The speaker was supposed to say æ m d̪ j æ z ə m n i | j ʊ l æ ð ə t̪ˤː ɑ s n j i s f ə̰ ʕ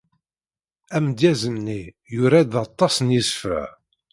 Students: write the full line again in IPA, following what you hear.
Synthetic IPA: æ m d̪ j æ z ə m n i | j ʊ ɾ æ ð ɑ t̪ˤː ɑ s n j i s f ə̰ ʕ

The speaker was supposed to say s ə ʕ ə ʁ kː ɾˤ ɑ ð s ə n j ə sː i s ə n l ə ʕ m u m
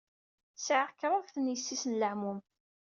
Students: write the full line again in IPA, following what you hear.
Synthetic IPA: s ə ʕ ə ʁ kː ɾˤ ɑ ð θ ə n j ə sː i s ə n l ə ʕ m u m

